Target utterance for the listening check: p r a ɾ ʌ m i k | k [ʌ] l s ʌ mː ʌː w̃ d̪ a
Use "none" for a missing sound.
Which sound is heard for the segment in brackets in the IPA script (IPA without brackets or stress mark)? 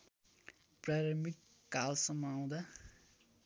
a